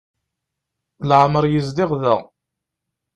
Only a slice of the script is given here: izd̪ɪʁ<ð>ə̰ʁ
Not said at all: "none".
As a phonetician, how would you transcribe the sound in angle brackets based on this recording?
ð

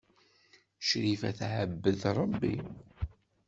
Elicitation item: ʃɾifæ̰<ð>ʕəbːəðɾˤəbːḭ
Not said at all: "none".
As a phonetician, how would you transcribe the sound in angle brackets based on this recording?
θ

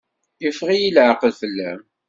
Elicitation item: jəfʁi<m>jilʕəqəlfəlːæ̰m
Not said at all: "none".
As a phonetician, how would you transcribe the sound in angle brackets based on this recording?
none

